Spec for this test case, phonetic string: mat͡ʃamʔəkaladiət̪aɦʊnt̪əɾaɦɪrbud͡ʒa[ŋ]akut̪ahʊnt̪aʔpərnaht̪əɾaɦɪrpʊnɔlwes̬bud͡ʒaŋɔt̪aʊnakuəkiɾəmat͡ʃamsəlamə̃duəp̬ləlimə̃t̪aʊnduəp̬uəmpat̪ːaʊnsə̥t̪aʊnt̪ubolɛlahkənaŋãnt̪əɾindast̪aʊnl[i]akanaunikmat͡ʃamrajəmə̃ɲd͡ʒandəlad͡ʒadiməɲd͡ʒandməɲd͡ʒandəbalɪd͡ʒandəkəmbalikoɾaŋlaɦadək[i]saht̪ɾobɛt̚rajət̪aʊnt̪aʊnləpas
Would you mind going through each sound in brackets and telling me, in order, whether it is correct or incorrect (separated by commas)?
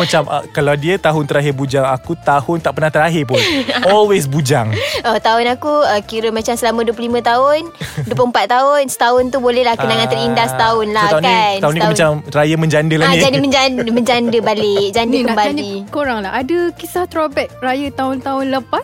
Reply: correct, incorrect, correct